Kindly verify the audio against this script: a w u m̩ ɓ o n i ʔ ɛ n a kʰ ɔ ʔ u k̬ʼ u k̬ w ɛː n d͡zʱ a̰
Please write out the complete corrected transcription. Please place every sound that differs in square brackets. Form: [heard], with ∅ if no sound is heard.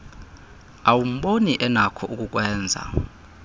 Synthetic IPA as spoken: a w u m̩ ɓ o n i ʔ ɛ n a kʰ ɔ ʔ u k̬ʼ u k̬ w ɛː n d͡zʱ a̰